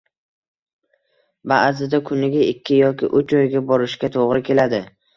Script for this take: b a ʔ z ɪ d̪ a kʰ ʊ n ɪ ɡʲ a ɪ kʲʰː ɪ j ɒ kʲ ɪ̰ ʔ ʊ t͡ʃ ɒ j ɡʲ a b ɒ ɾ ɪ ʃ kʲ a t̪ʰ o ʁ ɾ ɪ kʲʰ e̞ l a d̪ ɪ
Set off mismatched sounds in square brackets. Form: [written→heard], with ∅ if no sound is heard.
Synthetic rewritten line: b a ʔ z ɪ d̪ a kʰ ʊ n ɪ ɡʲ a ɪ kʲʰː ɪ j ɒ kʲ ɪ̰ ʔ ʊ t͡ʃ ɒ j ɡʲ a b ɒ ɾ ɪ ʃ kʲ a t̪ʰ o ʁ ɾ ɪ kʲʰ e̞ l a d̪ ɪ